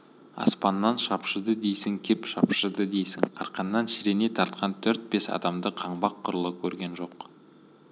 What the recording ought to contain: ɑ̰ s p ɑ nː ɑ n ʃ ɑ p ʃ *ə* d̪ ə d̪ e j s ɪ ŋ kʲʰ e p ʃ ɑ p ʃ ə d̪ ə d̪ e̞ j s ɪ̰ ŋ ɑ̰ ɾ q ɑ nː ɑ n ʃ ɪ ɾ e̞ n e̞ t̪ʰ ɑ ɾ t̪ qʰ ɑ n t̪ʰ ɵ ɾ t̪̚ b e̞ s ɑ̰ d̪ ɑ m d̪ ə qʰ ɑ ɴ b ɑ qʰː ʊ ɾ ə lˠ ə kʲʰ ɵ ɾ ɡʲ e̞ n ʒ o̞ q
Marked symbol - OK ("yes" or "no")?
yes